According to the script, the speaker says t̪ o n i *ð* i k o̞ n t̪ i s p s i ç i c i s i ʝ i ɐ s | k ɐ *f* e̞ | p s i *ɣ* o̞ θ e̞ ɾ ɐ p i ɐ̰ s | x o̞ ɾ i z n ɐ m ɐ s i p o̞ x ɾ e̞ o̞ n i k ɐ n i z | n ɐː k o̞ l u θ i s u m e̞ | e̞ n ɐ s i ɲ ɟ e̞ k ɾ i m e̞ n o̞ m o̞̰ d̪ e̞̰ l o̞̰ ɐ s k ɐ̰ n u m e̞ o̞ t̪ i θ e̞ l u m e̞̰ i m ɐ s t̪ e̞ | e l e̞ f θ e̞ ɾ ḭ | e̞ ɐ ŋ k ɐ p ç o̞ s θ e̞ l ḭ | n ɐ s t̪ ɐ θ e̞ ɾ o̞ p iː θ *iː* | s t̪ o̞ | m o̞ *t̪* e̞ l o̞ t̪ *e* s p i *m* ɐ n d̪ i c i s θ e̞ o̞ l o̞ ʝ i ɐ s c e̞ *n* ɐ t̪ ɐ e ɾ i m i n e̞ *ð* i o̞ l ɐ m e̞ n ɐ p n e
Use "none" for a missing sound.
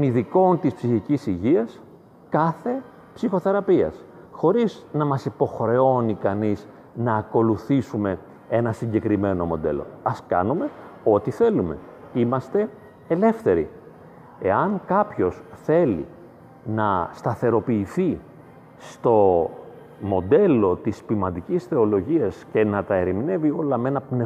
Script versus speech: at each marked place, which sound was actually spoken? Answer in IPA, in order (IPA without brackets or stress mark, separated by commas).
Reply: ð, θ, x, i, d̪, i, m, n, v